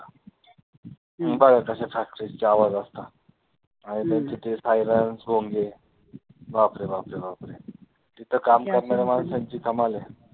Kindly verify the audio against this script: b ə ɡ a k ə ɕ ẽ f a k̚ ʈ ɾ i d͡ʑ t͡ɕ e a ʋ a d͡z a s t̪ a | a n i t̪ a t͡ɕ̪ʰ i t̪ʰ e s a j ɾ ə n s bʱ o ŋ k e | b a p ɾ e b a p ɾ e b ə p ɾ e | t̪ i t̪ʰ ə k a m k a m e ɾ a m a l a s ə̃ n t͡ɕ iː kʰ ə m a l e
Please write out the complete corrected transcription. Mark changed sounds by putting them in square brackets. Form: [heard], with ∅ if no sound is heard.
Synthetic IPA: b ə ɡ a k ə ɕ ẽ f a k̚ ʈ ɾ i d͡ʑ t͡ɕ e a ʋ a d͡z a s t̪ a | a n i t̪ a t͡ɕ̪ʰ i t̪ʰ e s a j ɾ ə n s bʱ o ŋ [ɡ] e | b a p ɾ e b a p ɾ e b [a] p ɾ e | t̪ i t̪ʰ ə k a m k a m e ɾ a m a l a s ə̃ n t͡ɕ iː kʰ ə m a l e

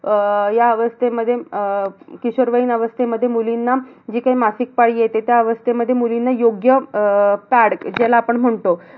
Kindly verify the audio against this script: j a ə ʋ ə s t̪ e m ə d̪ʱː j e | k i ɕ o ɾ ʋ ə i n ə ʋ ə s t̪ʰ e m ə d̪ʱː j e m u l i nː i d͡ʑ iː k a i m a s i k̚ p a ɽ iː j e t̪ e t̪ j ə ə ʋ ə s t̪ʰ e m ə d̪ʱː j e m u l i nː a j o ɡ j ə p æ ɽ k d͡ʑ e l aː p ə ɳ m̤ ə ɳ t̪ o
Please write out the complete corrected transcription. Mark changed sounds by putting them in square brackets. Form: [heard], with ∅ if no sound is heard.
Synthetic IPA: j a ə ʋ ə s t̪ e m ə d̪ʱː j e | k i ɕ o ɾ ʋ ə i n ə ʋ ə s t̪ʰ e m ə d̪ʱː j e m u l i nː [a] d͡ʑ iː k a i m a s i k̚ p a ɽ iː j e t̪ e t̪ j [a] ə ʋ ə s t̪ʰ e m ə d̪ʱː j e m u l i nː a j o ɡ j ə p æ ɽ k d͡ʑ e l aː p ə ɳ m̤ ə ɳ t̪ o

